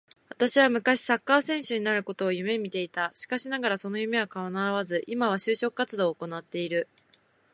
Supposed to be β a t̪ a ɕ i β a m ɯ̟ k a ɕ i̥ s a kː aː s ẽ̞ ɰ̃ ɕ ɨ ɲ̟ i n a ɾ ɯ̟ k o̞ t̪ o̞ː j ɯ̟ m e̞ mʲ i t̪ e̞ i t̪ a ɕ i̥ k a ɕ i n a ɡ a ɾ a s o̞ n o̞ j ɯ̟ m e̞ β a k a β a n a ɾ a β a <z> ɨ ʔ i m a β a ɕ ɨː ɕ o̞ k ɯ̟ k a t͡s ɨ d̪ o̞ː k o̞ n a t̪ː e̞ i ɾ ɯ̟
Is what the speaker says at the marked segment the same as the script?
yes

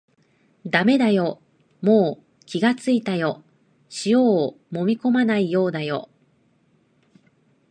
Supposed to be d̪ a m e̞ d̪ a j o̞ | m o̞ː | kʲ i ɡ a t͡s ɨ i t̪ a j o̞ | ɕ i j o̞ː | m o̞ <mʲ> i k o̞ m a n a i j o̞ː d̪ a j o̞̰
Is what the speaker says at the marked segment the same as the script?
yes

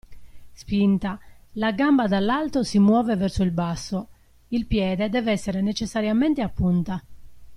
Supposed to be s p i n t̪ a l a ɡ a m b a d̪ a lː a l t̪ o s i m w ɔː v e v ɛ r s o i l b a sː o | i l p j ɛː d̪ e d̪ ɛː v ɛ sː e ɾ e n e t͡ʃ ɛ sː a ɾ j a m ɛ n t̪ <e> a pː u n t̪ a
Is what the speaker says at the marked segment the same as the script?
yes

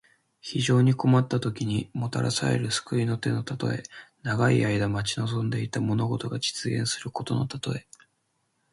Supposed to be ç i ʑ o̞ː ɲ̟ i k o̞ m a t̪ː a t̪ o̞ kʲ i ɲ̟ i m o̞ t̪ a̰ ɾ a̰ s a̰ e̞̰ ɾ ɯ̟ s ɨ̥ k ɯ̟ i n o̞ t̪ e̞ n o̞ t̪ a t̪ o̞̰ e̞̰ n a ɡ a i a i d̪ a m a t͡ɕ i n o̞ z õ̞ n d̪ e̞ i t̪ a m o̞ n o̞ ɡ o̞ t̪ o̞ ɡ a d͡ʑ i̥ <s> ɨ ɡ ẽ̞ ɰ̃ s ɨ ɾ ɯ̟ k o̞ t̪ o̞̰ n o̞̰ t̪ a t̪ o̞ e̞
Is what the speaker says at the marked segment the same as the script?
no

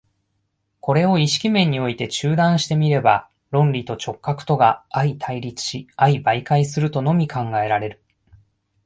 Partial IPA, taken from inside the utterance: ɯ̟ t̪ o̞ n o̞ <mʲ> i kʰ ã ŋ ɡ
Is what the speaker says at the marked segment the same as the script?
yes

